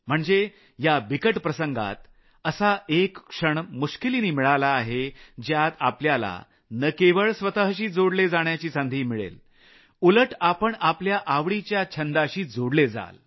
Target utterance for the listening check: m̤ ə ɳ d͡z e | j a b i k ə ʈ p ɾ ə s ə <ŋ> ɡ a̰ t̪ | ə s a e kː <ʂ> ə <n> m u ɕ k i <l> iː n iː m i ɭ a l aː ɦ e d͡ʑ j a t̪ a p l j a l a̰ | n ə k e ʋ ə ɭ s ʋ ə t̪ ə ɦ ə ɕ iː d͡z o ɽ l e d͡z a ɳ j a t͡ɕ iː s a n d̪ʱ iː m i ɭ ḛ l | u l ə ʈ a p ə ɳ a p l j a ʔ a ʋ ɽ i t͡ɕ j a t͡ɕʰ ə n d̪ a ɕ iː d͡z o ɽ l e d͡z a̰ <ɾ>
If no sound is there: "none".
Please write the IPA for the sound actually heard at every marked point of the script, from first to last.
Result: ŋ, ʂ, ɳ, l, l

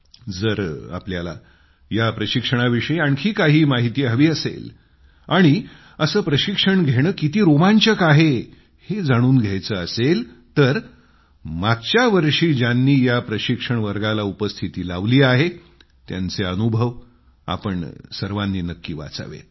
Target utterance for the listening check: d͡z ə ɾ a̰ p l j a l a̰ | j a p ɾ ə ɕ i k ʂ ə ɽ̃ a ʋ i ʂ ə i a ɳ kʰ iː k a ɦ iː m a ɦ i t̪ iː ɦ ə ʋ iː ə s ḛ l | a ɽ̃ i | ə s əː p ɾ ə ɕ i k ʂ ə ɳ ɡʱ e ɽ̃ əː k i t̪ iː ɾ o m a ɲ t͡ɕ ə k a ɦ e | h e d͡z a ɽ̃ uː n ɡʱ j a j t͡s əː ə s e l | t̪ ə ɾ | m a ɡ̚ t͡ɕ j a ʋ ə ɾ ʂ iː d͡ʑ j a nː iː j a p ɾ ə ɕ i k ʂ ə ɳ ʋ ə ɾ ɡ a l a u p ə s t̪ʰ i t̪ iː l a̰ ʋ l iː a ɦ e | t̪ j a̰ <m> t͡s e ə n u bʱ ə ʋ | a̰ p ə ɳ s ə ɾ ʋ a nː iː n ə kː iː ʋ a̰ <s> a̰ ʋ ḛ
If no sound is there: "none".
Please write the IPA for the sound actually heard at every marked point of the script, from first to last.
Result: n, t͡s

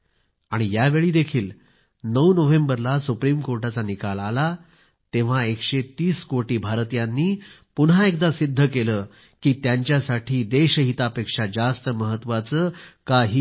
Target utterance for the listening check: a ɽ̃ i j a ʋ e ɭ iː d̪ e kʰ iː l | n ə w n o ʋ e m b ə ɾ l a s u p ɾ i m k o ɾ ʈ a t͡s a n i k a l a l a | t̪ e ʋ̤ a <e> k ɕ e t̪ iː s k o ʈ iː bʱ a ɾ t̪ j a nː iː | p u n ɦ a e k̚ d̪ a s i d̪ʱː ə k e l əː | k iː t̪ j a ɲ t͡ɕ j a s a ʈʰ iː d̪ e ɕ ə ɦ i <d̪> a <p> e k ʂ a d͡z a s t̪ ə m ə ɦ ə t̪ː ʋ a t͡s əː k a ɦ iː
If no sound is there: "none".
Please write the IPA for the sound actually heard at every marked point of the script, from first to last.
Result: e, t̪, p

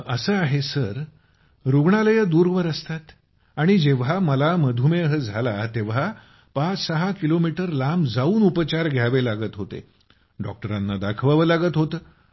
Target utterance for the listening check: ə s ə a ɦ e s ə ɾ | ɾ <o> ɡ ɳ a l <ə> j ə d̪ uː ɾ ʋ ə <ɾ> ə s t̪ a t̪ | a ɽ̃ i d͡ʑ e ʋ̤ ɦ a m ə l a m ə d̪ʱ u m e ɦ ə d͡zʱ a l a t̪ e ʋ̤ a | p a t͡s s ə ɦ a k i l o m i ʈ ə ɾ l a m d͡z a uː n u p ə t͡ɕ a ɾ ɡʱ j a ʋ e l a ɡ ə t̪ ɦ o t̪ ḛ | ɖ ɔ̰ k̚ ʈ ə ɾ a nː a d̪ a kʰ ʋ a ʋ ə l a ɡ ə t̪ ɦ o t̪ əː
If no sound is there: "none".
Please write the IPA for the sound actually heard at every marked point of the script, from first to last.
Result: u, ə, ɾ

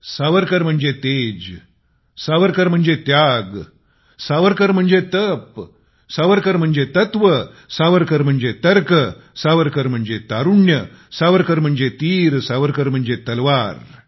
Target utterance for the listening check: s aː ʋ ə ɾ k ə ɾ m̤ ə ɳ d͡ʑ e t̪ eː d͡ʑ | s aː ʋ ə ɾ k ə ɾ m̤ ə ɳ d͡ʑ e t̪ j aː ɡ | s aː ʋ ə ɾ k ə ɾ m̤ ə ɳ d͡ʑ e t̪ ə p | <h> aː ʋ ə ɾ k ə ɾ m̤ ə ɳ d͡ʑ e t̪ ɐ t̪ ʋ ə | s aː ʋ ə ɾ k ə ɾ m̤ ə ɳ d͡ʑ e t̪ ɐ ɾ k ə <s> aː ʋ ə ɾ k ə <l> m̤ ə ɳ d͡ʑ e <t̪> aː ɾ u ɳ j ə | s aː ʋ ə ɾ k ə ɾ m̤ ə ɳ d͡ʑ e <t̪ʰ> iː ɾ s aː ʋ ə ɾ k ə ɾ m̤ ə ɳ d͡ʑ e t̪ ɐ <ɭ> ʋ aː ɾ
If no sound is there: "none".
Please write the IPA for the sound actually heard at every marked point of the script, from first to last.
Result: s, s, ɾ, t̪, t̪, l

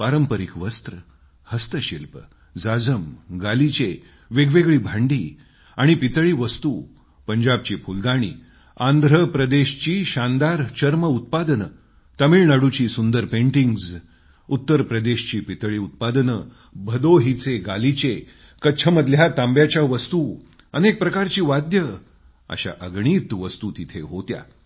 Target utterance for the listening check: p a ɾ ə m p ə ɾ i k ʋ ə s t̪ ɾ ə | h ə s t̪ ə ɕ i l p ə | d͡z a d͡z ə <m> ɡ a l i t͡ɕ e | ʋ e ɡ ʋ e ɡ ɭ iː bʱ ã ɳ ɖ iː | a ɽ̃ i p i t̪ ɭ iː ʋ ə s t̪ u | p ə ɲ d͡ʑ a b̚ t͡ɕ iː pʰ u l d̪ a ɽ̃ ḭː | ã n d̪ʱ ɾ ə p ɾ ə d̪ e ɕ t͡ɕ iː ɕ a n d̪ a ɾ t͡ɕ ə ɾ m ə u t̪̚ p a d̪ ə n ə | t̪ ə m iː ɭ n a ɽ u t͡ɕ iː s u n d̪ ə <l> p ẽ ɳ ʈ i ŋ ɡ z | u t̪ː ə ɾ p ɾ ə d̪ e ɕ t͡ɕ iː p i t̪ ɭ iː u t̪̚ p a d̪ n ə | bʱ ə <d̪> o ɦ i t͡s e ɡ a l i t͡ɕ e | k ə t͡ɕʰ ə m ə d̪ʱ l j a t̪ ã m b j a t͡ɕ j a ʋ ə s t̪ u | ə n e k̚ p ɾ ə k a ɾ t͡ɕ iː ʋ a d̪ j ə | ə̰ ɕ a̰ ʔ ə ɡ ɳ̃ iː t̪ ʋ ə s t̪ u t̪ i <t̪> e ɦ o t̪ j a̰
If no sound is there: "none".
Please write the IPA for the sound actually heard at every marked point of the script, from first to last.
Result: m, ɾ, d̪, t̪ʰ

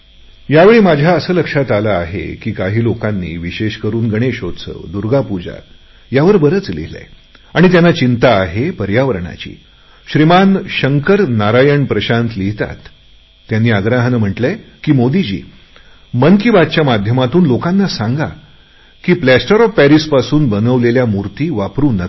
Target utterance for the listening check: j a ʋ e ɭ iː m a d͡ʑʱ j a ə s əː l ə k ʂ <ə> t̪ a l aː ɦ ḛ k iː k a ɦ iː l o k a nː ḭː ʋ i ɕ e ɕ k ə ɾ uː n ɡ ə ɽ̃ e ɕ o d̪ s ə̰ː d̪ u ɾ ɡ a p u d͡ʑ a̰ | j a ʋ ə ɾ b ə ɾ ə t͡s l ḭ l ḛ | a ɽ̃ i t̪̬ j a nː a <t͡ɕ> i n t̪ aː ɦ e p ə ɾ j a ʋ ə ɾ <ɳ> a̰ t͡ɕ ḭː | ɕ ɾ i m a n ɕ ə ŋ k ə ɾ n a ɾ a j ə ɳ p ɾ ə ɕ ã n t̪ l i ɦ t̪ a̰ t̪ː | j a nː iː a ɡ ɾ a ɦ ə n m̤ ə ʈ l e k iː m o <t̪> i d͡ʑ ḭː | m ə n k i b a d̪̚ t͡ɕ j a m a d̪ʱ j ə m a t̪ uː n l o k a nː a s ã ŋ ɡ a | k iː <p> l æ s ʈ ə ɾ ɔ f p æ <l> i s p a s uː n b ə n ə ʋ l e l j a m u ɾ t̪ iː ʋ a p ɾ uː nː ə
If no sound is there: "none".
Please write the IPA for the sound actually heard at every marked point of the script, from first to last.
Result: a, t͡ɕ, ɳ, d̪, p, ɾ

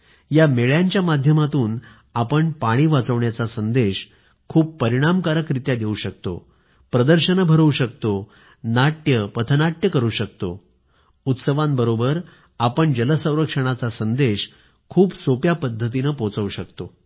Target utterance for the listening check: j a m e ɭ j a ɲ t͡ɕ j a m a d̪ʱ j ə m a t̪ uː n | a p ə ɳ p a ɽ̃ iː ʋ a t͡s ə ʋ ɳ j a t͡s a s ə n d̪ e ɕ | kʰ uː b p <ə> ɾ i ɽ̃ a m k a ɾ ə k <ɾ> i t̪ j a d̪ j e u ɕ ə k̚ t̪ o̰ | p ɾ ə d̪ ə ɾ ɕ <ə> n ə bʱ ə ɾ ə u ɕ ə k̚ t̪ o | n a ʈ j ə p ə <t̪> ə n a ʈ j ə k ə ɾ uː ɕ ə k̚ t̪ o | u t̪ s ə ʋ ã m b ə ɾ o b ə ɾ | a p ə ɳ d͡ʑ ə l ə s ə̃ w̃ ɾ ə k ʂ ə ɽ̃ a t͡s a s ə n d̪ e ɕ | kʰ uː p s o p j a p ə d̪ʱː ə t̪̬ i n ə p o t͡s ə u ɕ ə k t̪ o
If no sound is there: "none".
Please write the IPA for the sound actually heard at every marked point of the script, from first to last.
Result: ə, ɾ, ə, t̪ʰ

